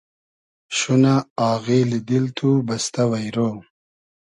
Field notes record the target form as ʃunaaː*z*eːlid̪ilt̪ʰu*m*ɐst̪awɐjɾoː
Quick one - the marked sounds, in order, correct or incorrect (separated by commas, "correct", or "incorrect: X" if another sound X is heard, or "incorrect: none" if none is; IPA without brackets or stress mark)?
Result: incorrect: ɣ, incorrect: b